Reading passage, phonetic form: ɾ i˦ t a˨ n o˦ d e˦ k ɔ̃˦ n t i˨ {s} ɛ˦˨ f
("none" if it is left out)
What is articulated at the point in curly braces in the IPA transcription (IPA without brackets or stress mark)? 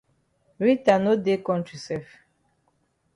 s